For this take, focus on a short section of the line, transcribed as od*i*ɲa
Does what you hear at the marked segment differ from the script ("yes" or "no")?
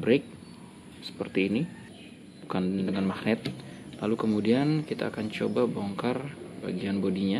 no